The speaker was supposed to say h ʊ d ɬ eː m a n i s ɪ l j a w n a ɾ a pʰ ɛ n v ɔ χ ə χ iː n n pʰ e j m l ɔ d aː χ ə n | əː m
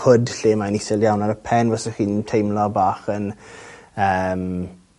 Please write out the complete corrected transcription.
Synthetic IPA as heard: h ʊ d ɬ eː m a n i s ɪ l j a w n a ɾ ə pʰ ɛ n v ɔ s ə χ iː n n tʰ e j m l ɔ b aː χ ə n | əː m

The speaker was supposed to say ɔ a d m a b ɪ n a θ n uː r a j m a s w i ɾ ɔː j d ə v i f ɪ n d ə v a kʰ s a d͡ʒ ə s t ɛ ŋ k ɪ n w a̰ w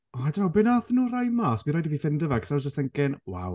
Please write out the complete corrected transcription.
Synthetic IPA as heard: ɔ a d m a b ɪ n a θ n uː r a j m a s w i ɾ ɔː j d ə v i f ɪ n d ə v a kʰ s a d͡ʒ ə s t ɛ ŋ k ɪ n w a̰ w

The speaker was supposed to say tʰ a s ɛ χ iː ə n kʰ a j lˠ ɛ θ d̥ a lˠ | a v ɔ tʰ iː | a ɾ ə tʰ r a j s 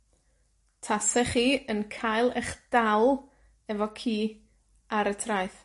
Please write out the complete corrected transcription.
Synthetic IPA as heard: tʰ a s ɛ χ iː ə n kʰ a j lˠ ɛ χ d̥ a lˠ | ɛ v ɔ kʰ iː | a ɾ ə tʰ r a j θ

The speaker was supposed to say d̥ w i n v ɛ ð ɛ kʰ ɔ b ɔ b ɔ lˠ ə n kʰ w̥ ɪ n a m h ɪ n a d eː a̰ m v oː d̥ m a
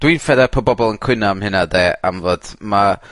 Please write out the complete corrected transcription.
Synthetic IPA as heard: d̥ w i n f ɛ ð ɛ pʰ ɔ b ɔ b ɔ lˠ ə n kʰ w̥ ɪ n a m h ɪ n a d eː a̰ m v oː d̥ m a

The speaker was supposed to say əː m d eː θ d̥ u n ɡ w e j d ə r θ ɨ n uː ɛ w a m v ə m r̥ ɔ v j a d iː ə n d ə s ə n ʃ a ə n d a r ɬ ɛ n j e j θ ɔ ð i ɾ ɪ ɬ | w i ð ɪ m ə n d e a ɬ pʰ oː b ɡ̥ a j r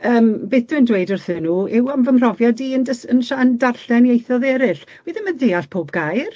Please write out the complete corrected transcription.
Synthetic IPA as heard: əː m b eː θ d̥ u n d w e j d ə r θ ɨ n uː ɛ w a m v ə m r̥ ɔ v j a d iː ə n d ə s ə n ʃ a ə n d a r ɬ ɛ n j e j θ ɔ ð ɛ ɾ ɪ ɬ | w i ð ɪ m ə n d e a ɬ pʰ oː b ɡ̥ a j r

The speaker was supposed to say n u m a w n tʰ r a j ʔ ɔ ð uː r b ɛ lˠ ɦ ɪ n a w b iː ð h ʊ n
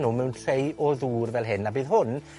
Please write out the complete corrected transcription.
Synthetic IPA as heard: n u m ɛ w n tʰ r e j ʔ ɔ ð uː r v ɛ lˠ ɦ ɪ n a b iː ð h ʊ n

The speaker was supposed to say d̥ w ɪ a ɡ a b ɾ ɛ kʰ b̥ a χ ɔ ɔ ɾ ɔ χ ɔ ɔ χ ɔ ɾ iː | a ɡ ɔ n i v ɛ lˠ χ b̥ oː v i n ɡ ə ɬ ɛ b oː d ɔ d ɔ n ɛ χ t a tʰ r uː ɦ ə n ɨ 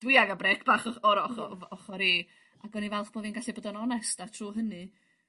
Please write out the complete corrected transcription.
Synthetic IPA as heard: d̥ w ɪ a ɡ a b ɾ ɛ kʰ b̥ a χ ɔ ɔ ɾ ɔ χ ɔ ɔ χ ɔ ɾ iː | a ɡ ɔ n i v ɛ lˠ χ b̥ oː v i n ɡ a ɬ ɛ b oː d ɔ n ɔ n ɛ s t a tʰ r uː ɦ ə n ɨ

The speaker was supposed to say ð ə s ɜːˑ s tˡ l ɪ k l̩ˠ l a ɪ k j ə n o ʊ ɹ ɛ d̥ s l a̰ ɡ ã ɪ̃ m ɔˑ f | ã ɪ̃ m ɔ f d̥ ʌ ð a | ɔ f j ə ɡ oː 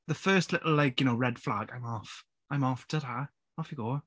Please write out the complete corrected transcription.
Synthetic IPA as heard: ð ə f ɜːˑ s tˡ l ɪ ʔ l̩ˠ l a ɪ k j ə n o ʊ ɹ ɛ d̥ f l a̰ ɡ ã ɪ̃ m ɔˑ f | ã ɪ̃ m ɔ f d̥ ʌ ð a | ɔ f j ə ɡ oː

